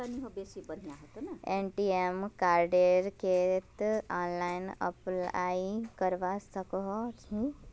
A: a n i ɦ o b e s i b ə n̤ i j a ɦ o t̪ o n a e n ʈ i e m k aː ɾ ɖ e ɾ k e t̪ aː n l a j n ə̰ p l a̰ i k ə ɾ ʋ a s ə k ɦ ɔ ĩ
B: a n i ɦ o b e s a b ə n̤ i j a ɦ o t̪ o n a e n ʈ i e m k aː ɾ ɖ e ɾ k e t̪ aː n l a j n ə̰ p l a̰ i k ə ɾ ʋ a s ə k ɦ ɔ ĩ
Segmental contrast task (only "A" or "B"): A